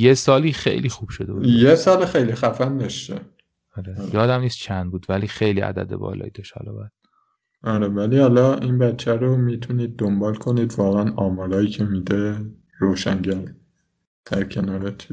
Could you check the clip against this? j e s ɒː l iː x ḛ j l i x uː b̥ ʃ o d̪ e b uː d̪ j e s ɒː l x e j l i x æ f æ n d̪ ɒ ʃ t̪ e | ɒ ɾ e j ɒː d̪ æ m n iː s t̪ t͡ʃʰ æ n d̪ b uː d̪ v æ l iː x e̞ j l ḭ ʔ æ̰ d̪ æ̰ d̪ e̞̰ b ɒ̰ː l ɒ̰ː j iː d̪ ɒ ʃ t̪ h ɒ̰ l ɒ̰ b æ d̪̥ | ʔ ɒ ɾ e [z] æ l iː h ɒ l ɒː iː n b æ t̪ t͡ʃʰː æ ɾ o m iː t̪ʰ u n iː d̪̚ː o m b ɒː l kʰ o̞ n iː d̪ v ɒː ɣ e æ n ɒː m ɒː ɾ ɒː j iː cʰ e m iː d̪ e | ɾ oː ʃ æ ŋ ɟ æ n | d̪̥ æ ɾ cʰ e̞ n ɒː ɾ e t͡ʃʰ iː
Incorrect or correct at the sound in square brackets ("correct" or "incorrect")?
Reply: incorrect